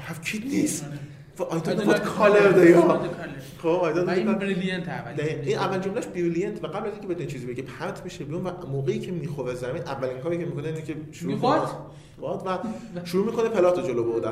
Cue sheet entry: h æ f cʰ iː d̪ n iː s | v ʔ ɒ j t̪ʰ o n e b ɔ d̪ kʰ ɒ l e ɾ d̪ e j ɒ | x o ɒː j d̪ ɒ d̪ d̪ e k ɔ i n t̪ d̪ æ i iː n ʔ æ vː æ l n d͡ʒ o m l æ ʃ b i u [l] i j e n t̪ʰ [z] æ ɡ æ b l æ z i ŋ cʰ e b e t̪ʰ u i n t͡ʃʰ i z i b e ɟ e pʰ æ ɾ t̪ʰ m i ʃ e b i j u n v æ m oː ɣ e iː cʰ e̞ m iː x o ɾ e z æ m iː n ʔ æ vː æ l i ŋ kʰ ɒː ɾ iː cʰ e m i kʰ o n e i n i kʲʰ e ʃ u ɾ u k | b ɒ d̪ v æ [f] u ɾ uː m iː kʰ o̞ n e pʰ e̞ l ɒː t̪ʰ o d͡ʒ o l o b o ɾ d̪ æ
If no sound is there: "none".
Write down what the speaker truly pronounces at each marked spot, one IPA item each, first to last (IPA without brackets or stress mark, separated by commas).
l, v, ʃ